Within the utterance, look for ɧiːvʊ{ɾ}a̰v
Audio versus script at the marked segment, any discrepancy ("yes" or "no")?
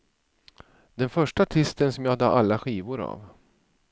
no